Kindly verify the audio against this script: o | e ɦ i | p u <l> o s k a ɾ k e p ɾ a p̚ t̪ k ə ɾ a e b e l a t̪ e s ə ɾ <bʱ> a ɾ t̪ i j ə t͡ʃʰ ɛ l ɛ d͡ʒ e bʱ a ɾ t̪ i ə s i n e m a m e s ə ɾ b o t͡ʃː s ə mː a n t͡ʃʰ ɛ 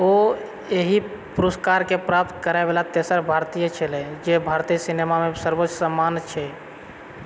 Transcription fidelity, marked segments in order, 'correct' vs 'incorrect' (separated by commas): incorrect, correct